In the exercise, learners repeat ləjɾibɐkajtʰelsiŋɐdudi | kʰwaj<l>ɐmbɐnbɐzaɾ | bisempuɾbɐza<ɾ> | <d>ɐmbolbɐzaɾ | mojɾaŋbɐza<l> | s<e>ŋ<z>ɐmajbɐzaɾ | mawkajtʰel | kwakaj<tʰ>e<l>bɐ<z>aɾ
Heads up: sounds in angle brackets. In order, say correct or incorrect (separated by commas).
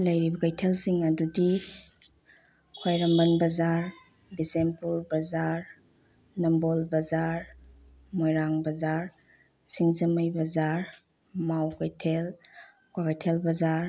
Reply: incorrect, correct, incorrect, incorrect, incorrect, correct, correct, correct, correct